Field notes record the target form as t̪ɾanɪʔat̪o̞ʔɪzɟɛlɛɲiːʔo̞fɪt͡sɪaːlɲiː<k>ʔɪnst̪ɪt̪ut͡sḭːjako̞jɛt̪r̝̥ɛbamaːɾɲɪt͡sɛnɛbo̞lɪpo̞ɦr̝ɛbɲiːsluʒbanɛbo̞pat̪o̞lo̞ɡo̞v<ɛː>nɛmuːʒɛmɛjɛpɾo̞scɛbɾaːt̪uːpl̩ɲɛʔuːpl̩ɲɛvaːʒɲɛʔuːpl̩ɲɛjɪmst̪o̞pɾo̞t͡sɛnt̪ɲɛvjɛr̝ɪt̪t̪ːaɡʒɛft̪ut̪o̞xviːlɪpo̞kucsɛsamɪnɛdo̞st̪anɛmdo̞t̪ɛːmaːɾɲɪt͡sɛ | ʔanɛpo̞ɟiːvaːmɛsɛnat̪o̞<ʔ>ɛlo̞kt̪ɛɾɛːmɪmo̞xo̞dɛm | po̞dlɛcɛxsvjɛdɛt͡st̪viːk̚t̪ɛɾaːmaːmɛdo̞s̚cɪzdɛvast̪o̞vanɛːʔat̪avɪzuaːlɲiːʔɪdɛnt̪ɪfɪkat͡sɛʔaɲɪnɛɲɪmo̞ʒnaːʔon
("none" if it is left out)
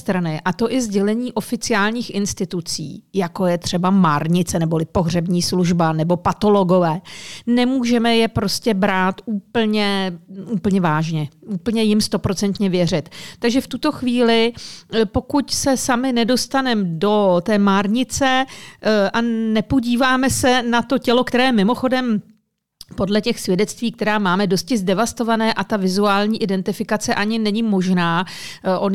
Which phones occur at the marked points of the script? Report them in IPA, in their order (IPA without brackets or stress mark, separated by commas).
x, ɛː, c